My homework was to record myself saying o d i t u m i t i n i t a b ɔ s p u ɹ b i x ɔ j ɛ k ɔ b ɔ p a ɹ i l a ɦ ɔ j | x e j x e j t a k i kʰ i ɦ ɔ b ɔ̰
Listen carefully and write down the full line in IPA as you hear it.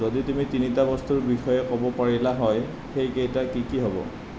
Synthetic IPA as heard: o d i t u m i t i n i t a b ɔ s t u ɹ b i x ɔ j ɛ k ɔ b ɔ p a ɹ i l a ɦ ɔ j | x e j k e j t a k i k i ɦ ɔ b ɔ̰